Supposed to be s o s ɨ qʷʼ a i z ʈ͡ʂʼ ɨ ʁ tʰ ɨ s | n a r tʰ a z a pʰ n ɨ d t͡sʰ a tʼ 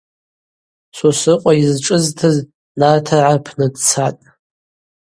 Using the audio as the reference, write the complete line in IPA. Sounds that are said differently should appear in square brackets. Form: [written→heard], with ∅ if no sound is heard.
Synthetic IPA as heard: s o s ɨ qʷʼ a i z ʈ͡ʂʼ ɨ [ʁ→z] tʰ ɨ [s→z] | n a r tʰ a [z→ʕ] a pʰ n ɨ d t͡sʰ a tʼ